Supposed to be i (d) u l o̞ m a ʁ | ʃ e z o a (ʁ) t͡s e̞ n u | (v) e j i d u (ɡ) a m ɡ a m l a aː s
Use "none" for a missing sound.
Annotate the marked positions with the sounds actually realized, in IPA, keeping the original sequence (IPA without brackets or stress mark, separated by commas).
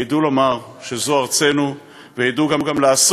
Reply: d, ʁ, v, ɡ